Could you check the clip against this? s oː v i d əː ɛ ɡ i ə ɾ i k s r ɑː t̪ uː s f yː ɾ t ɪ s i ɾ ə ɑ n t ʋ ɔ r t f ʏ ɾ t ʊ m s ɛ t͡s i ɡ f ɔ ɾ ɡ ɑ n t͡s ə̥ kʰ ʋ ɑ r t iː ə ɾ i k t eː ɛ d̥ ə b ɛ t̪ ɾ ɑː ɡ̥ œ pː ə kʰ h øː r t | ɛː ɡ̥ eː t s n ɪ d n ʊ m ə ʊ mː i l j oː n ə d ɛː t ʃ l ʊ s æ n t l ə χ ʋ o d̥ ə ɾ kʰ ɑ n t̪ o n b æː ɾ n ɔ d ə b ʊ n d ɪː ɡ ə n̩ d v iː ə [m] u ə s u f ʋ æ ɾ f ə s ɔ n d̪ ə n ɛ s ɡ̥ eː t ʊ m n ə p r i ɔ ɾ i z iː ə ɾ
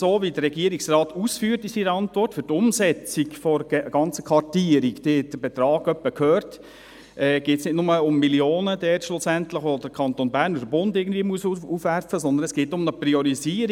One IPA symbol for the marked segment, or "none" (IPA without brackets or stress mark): m